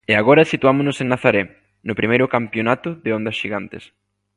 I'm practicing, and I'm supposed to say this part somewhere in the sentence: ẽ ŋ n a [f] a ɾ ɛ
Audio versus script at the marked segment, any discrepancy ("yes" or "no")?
yes